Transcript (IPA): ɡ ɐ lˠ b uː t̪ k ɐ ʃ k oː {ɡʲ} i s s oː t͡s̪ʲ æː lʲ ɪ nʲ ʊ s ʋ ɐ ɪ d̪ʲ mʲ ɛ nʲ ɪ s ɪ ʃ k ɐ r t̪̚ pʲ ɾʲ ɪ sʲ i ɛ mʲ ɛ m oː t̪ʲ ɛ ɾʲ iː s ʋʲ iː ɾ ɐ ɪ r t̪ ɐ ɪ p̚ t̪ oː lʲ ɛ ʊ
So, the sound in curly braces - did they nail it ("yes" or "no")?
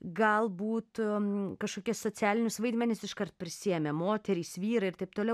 no